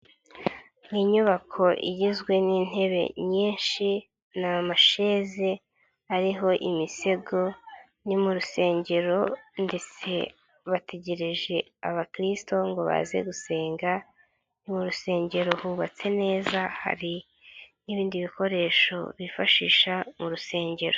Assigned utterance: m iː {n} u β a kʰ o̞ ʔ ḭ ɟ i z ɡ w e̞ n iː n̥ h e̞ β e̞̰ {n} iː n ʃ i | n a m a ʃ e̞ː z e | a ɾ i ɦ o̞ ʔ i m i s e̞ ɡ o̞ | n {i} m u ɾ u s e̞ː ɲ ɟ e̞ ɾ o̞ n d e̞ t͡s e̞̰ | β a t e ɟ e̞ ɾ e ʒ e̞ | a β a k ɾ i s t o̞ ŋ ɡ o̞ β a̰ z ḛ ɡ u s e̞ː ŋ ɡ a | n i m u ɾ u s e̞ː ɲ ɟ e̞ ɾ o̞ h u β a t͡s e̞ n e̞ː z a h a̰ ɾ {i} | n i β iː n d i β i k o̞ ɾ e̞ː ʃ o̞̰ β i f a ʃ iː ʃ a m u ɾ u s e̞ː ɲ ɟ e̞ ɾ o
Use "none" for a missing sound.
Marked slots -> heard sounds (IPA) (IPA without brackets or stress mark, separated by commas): ɲ, ɲ, i, i